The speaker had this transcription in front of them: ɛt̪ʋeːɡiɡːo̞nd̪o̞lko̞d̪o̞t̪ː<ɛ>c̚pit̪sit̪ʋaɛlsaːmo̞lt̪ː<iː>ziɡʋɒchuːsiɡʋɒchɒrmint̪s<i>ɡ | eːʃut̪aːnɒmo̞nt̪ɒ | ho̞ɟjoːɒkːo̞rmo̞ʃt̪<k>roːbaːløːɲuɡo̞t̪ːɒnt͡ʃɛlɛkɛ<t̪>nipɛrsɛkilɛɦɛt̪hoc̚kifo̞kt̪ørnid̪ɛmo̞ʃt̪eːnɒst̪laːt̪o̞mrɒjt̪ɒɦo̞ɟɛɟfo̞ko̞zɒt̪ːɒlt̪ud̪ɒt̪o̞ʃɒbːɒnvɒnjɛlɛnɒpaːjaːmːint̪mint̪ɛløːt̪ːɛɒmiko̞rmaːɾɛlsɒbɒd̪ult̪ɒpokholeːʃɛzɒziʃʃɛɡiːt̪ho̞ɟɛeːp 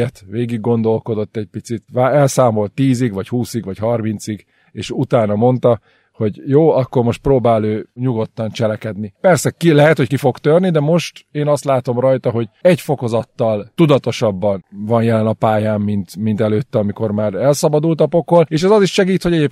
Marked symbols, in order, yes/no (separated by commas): yes, yes, yes, no, no